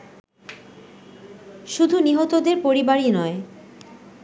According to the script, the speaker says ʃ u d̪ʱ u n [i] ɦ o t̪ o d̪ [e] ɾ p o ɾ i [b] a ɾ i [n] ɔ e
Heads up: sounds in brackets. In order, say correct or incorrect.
correct, correct, correct, correct

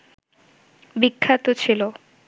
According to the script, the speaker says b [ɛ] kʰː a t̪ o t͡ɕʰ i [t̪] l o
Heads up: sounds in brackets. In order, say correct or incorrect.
incorrect: i, incorrect: none

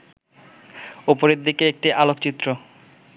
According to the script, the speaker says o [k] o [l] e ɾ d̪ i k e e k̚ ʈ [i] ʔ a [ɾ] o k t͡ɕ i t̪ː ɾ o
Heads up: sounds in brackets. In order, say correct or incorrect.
incorrect: p, incorrect: ɾ, correct, incorrect: l

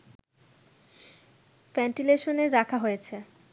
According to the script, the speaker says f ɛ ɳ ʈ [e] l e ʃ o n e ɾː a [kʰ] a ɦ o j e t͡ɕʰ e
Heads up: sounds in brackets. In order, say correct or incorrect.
incorrect: i, correct

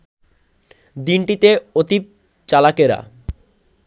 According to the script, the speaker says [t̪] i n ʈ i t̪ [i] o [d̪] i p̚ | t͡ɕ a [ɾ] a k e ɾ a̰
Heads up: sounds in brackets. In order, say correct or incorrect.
incorrect: d̪, incorrect: e, incorrect: t̪, incorrect: l

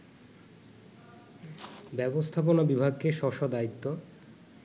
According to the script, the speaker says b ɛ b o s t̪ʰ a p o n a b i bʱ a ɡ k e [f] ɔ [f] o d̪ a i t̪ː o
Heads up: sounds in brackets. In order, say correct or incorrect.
incorrect: ʃ, incorrect: ʃ

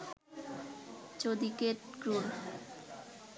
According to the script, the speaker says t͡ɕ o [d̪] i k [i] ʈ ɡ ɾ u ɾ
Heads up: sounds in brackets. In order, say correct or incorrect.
correct, incorrect: e

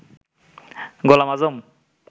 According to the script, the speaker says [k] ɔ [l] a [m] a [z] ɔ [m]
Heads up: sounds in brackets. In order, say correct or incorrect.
incorrect: ɡ, correct, correct, correct, correct

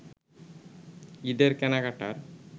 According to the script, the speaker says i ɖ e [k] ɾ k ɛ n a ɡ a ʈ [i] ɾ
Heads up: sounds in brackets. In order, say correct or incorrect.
incorrect: none, incorrect: a

